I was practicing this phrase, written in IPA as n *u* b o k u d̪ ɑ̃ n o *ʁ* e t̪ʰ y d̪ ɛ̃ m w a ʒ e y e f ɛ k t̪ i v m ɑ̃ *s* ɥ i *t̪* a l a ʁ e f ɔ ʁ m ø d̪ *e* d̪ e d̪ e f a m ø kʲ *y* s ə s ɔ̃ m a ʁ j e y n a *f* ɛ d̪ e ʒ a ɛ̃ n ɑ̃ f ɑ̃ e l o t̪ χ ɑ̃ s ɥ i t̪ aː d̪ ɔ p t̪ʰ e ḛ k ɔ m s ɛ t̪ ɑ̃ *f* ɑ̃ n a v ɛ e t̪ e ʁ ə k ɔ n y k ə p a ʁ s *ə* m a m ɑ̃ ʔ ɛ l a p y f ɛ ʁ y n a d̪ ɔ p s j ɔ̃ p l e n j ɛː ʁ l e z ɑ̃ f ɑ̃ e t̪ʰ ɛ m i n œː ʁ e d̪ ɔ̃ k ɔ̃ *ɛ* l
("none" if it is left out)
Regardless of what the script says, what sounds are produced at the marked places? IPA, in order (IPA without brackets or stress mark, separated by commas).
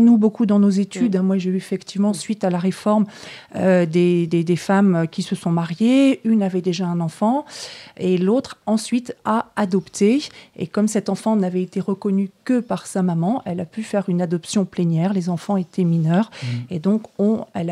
u, z, s, t̪, e, i, v, f, a, ɛ